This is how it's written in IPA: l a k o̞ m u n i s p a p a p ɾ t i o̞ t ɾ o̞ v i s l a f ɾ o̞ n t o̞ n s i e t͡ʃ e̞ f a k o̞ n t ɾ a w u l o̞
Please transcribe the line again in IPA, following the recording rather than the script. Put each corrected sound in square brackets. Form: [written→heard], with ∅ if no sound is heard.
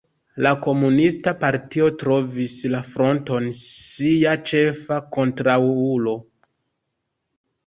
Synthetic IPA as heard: l a k o̞ m u n i s [p→t] a p a [p→∅] ɾ t i o̞ t ɾ o̞ v i s l a f ɾ o̞ n t o̞ n s i [e→a] t͡ʃ e̞ f a k o̞ n t ɾ a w u l o̞